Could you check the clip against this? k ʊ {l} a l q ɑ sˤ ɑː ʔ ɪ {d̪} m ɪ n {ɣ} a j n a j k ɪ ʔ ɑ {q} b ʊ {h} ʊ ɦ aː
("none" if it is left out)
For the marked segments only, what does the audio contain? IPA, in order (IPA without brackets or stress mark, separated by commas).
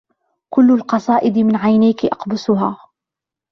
lː, d̪, ʕ, q, s